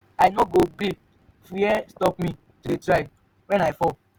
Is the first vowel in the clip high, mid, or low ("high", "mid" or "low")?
low